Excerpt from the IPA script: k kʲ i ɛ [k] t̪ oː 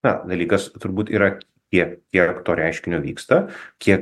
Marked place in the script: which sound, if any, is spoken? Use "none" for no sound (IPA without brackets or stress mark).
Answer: k